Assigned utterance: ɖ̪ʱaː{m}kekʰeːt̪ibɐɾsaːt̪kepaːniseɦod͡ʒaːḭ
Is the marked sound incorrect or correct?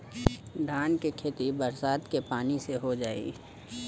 incorrect